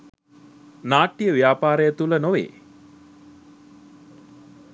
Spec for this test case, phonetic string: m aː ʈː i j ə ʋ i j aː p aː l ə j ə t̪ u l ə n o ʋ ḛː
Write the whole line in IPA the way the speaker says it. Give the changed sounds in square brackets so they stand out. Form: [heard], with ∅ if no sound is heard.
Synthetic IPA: [n] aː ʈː i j ə ʋ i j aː p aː [ɾ] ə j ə t̪ u l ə n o ʋ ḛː

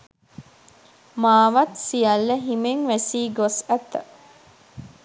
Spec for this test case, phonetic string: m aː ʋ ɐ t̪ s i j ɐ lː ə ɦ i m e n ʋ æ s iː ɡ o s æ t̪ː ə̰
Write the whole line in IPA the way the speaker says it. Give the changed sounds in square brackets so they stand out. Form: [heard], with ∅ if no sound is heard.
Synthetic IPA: m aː ʋ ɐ t̪ s i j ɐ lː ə ɦ i m e [ŋ] ʋ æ s iː ɡ o s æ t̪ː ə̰

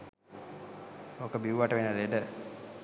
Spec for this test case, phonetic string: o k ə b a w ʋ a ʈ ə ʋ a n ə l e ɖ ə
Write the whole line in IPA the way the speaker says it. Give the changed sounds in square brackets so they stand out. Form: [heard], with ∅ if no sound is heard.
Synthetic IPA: o k ə b [i] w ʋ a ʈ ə ʋ [e] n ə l e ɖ ə

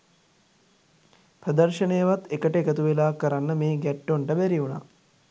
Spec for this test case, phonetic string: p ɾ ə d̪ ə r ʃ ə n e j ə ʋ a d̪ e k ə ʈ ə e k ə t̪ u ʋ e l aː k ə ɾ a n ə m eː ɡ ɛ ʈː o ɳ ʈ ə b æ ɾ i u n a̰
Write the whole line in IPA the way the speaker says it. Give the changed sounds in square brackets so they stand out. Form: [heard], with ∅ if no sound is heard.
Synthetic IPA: p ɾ ə d̪ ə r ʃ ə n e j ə ʋ a [t̪] e k ə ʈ ə e k ə t̪ u ʋ e l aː k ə ɾ a [nː] ə m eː ɡ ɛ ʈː o ɳ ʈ ə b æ ɾ i u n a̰

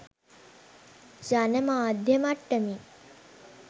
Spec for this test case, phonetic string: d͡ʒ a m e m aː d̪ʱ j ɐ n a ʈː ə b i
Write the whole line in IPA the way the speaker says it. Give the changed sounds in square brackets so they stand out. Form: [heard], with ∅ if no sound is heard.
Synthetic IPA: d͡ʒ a [n] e m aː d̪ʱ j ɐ [m] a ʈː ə [m] i

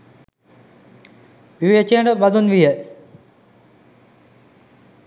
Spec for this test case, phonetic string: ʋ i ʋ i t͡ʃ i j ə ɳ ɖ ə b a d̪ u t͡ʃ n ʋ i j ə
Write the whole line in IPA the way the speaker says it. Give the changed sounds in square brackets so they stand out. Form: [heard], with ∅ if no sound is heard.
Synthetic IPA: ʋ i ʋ [e] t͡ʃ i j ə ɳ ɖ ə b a d̪ u [∅] n ʋ i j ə

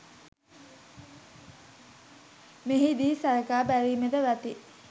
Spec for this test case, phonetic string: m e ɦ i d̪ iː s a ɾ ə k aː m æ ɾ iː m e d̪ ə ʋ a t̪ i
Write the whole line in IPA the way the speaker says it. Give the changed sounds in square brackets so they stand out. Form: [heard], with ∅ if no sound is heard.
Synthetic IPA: m e ɦ i d̪ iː s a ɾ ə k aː [b] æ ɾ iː m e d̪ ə ʋ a t̪ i

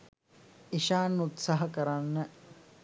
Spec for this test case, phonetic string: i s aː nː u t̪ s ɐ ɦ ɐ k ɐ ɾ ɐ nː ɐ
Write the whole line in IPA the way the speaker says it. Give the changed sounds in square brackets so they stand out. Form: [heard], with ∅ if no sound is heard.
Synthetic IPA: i [ʃ] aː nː u t̪ s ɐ ɦ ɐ k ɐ ɾ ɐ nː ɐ

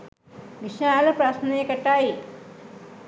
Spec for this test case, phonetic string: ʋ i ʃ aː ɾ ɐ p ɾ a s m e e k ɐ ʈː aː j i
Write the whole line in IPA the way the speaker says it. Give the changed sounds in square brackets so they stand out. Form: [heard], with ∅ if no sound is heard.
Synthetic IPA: ʋ i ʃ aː [l] ɐ p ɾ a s [n] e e k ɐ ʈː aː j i

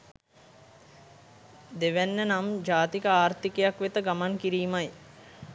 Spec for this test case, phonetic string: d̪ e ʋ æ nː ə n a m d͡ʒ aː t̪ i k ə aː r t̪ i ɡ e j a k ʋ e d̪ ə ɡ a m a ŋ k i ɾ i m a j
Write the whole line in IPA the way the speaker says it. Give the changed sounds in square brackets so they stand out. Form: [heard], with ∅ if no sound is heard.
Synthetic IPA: d̪ e ʋ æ nː ə n a m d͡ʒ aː t̪ i k ə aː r t̪ i [k] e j a k ʋ e [t̪] ə ɡ a m a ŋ k i ɾ [iː] m a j

